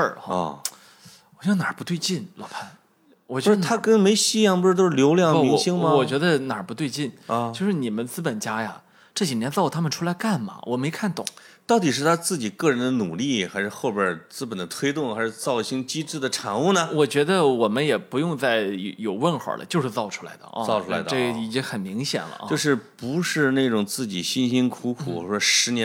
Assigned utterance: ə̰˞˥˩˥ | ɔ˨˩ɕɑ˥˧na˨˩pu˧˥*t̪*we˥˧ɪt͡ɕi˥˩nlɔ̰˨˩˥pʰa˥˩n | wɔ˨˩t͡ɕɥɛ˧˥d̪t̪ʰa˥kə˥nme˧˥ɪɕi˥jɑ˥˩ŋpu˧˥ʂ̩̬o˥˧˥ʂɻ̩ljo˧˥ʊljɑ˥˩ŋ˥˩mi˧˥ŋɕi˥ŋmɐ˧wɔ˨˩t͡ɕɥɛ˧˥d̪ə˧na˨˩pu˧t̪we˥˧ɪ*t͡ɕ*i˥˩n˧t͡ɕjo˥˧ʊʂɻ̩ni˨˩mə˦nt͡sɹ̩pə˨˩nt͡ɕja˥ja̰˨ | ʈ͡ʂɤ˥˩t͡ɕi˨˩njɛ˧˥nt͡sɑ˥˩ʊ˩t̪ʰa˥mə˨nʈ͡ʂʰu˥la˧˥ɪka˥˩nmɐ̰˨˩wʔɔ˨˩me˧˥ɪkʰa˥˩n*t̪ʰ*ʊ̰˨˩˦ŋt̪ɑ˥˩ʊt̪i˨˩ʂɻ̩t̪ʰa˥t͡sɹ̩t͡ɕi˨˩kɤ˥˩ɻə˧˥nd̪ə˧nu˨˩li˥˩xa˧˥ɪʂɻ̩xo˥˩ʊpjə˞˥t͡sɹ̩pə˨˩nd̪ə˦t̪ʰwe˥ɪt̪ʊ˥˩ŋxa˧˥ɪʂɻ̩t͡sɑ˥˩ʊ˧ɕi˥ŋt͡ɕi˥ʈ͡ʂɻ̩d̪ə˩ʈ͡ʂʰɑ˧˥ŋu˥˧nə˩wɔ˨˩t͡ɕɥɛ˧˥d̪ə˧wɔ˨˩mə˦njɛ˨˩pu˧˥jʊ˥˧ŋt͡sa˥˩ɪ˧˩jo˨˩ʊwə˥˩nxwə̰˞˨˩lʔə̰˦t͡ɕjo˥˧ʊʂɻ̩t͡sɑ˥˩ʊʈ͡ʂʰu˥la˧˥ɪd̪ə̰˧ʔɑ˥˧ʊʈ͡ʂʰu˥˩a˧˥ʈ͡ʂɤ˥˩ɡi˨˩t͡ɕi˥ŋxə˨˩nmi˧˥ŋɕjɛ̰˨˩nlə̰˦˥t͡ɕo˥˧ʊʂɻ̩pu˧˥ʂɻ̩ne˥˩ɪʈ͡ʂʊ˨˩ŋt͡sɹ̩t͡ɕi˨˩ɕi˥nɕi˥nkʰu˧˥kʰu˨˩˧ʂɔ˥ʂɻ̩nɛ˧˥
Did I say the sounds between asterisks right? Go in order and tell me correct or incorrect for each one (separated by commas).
correct, correct, incorrect